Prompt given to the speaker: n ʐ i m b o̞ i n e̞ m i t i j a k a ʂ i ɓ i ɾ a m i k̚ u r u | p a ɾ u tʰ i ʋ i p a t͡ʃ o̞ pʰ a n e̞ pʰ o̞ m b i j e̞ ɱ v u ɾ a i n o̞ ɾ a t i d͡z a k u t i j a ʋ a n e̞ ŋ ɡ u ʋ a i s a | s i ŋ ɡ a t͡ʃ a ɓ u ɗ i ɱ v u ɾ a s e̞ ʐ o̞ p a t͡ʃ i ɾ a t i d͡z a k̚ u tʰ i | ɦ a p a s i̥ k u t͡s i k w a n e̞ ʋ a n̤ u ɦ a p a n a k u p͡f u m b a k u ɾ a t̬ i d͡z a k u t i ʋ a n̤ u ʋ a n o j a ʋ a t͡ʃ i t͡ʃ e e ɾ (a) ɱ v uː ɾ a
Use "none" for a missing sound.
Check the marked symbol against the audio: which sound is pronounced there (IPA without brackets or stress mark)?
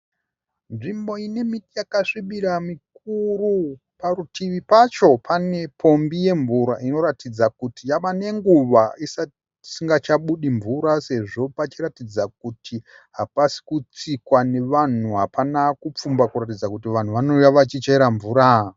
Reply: a